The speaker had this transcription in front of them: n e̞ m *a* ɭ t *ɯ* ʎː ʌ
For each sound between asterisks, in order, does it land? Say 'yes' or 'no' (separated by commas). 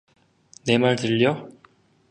yes, yes